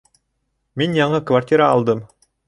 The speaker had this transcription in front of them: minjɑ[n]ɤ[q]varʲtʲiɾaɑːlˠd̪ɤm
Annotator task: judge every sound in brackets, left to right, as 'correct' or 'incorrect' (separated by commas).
incorrect, incorrect